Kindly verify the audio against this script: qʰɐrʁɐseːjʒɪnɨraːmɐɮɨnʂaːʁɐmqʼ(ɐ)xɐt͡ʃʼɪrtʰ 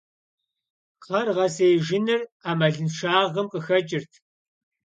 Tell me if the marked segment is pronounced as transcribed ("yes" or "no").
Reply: no